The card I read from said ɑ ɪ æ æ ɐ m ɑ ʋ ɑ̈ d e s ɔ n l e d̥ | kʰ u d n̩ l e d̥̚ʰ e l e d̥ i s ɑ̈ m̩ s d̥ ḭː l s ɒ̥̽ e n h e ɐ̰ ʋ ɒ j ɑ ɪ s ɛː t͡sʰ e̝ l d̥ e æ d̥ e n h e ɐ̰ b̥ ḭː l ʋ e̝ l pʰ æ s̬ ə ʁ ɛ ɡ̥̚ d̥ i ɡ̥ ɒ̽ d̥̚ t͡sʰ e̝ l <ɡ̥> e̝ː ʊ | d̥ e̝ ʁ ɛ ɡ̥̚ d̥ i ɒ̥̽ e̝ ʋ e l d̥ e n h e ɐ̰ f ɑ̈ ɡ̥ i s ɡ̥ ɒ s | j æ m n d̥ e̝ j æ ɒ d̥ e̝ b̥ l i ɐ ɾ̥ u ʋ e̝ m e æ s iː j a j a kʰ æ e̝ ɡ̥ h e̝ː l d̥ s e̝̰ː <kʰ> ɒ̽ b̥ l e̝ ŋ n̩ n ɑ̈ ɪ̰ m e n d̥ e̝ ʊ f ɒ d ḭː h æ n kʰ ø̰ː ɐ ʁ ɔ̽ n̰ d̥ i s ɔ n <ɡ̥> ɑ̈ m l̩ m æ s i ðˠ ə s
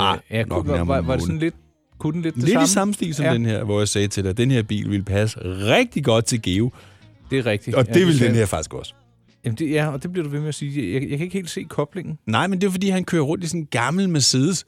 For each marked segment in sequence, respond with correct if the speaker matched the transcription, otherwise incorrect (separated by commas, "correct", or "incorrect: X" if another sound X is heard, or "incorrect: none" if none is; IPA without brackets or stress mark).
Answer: correct, correct, correct